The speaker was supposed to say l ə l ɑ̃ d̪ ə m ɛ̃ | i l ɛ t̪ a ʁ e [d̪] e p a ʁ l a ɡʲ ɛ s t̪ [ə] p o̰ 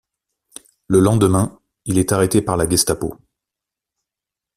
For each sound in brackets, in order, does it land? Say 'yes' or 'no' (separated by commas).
no, no